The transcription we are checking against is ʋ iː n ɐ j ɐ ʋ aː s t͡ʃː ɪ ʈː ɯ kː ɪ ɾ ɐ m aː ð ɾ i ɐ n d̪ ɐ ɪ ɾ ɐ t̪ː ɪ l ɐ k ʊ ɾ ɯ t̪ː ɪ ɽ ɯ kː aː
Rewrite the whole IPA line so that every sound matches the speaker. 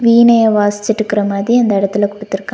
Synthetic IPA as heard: ʋ iː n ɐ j ɐ ʋ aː s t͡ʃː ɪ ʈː ɯ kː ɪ ɾ ɐ m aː ð ɾ i ɐ n d̪ ɐ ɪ ɽ ɐ t̪ː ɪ l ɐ k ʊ ɽ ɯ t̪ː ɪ ɾ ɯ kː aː